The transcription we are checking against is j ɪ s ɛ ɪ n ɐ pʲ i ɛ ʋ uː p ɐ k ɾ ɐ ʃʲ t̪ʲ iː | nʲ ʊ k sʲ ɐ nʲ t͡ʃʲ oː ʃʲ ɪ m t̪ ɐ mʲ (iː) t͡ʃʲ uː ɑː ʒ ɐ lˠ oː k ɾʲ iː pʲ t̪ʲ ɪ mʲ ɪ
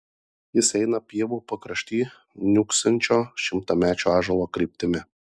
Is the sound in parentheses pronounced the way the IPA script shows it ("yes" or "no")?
no